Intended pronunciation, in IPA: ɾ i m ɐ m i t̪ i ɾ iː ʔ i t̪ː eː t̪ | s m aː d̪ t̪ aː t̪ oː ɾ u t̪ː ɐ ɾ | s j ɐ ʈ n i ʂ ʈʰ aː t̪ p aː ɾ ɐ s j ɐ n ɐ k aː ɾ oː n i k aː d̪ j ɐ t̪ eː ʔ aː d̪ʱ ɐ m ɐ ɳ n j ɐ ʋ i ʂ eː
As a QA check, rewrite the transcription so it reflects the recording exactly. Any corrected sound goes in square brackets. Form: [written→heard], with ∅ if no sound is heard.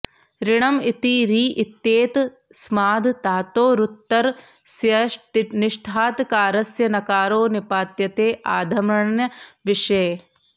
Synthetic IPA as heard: ɾ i [m→ɳ] ɐ m i t̪ i ɾ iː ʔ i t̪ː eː t̪ | s m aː d̪ t̪ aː t̪ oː ɾ u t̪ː ɐ ɾ | s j ɐ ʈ n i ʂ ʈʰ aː t̪ [p→k] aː ɾ ɐ s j ɐ n ɐ k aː ɾ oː n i [k→p] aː [d̪→t̪] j ɐ t̪ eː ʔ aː d̪ʱ ɐ m ɐ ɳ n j ɐ ʋ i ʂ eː